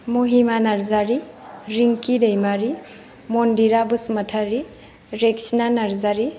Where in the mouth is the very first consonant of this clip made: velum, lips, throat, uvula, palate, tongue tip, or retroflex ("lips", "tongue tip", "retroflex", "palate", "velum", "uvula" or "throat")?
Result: lips